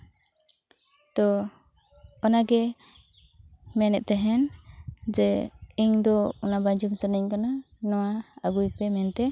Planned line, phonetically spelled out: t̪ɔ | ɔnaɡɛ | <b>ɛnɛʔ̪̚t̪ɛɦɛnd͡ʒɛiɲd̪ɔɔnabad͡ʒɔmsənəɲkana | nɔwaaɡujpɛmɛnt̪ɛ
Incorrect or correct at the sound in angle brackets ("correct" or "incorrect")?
incorrect